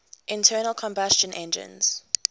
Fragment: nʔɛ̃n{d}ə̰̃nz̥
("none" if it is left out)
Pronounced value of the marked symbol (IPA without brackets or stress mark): d͡ʒ